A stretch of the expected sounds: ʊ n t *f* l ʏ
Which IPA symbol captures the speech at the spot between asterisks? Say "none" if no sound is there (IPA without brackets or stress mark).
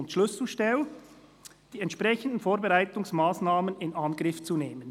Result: ʃ